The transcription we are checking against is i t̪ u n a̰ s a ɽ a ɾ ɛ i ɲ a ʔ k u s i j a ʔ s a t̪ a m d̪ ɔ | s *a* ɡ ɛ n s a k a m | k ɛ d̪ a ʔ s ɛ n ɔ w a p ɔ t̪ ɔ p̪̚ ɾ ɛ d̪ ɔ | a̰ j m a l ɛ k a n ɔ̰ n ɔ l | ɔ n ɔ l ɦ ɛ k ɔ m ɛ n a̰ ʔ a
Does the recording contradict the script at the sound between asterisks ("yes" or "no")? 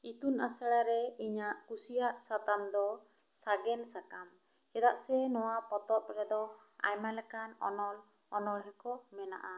no